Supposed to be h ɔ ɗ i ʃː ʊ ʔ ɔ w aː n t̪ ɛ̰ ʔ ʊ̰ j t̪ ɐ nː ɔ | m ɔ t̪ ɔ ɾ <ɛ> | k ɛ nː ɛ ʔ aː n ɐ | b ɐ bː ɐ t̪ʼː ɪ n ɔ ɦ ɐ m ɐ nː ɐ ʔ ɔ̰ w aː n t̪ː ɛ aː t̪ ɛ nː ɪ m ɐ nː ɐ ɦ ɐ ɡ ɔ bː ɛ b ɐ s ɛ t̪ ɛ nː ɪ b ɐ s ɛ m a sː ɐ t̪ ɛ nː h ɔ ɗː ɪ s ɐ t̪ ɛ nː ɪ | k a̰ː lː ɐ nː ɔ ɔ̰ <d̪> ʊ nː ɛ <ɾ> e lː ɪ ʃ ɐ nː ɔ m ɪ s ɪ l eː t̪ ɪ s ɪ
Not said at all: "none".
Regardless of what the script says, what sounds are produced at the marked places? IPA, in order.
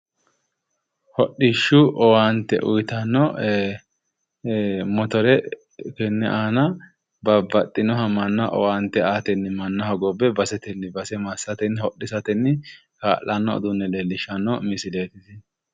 ɛ, d̪, l

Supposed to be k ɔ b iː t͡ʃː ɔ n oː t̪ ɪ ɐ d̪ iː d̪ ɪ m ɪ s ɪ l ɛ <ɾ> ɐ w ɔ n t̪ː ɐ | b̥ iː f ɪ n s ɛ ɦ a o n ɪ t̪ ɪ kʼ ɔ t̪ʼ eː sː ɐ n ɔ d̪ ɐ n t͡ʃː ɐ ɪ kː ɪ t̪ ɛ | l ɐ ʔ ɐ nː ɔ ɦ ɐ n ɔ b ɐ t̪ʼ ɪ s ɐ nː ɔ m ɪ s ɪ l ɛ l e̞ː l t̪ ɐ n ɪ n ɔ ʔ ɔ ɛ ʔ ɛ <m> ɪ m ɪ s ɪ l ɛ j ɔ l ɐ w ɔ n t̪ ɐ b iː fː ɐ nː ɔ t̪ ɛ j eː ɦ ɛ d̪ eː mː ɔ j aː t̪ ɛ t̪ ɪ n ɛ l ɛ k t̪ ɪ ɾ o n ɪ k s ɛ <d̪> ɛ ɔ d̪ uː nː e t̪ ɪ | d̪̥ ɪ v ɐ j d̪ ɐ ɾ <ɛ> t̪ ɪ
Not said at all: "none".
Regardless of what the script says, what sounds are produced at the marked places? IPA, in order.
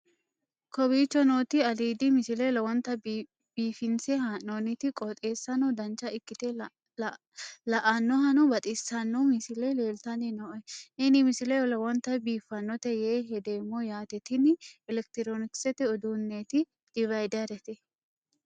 l, n, t̪, ɛ

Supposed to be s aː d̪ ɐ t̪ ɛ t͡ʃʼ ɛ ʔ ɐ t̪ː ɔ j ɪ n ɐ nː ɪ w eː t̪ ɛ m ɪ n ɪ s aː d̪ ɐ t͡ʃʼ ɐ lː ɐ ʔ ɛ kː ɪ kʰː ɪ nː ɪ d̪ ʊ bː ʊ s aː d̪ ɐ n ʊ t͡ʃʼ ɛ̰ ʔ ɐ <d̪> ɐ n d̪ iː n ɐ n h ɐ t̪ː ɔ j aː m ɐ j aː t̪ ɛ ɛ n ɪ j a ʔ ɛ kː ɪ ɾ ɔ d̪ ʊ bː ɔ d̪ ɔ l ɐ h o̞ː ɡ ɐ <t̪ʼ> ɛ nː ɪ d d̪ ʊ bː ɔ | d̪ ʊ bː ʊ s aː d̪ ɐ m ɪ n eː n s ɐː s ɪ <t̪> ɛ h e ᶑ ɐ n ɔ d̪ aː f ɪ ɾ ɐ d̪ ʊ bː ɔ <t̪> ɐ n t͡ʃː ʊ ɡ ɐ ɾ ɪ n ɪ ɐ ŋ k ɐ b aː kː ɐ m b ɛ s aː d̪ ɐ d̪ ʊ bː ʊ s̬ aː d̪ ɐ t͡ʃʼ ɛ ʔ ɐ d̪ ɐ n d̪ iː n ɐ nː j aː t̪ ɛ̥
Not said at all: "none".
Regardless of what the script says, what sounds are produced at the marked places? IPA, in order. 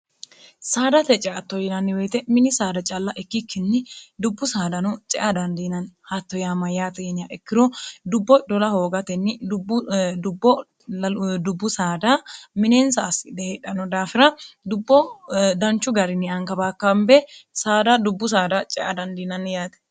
d̪, t̪, d̪, d̪

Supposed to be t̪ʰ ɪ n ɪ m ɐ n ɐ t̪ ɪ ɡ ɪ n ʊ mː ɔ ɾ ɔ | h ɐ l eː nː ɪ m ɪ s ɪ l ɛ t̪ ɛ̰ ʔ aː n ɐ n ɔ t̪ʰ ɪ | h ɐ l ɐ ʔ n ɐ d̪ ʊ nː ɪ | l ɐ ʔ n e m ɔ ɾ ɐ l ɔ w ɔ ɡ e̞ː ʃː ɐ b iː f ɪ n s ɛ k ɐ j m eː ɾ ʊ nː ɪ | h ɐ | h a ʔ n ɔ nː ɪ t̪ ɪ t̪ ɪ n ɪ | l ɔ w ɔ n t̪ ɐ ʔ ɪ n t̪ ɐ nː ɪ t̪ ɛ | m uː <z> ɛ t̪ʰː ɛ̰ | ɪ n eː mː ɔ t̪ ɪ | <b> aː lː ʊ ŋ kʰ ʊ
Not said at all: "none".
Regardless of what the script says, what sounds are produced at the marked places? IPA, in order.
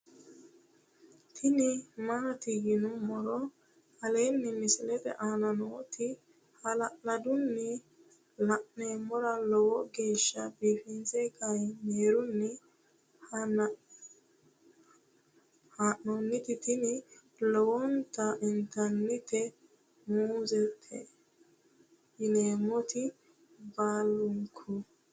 z, b

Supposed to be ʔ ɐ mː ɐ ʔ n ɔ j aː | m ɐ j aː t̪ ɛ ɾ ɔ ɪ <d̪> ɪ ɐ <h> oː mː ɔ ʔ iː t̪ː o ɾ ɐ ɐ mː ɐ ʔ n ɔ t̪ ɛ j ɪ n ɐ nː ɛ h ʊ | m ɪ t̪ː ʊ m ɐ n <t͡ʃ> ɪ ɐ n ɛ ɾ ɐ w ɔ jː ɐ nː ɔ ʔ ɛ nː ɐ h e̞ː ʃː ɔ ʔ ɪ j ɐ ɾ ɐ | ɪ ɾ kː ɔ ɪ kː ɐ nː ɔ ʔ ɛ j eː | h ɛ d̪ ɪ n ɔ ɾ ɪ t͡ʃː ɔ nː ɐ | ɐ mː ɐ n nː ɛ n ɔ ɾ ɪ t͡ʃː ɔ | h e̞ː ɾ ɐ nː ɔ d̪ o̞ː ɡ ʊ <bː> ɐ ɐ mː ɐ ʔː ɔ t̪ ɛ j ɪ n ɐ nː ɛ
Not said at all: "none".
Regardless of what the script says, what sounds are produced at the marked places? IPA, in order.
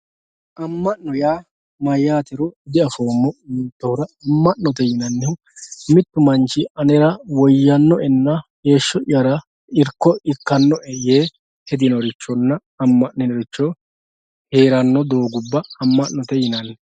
d̪, f, t͡ʃ, bː

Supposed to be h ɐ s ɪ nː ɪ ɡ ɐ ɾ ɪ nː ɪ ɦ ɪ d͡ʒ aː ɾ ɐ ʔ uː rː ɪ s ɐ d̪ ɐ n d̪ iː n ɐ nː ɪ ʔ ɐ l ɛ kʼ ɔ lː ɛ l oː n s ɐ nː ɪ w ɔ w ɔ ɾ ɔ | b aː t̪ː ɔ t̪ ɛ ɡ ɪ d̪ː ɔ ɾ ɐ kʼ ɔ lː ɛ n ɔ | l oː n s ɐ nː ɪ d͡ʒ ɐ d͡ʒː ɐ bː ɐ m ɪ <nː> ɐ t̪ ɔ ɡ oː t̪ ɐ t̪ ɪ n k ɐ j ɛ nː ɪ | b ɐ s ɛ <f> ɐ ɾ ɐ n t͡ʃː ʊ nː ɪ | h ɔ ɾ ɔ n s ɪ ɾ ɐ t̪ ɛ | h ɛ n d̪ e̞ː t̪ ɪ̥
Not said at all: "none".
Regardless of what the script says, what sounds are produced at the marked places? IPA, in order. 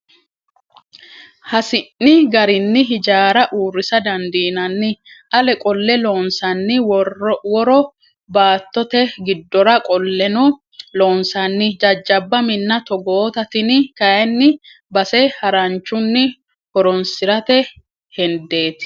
nː, h

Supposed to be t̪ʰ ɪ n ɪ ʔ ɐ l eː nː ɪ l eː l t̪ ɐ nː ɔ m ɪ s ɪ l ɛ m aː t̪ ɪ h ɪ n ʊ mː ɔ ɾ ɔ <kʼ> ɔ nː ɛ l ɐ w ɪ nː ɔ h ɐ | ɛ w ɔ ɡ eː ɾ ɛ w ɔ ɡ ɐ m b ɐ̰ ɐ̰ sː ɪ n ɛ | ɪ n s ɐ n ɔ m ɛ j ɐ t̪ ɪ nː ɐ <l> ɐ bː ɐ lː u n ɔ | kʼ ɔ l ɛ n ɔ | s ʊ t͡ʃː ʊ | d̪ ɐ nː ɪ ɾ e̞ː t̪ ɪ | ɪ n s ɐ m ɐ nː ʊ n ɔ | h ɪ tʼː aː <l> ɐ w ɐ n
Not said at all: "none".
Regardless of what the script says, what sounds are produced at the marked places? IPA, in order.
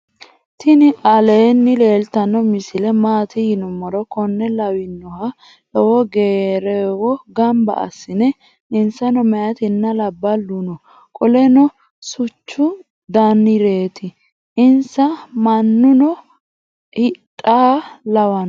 k, l, l

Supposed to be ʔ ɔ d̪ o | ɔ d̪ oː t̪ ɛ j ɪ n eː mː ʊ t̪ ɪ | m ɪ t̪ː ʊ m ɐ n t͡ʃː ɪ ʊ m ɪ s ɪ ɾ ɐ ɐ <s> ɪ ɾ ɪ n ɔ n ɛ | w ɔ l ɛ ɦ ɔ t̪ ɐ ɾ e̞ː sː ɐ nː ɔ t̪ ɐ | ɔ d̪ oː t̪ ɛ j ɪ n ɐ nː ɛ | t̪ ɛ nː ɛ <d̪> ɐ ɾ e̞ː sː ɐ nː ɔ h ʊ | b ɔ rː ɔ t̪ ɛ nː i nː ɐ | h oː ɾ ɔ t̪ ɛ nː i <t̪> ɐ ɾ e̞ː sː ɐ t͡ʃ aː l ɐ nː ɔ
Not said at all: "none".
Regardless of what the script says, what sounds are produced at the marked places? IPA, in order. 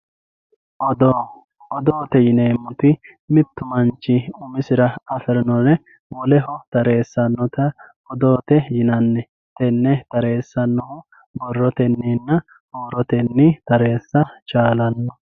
f, t̪, t̪

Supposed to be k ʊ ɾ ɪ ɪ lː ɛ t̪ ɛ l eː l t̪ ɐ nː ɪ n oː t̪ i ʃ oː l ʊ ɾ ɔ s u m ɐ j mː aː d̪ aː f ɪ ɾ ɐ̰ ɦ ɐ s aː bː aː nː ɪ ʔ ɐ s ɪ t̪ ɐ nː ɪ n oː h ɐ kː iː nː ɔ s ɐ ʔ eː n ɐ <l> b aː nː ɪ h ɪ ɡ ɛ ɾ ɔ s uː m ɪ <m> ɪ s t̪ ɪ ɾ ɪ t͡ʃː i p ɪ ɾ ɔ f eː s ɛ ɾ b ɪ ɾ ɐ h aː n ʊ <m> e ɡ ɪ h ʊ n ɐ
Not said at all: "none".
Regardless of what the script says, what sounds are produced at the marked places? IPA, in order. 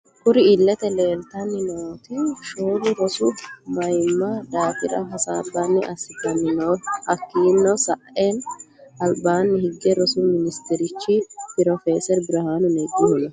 l, n, n

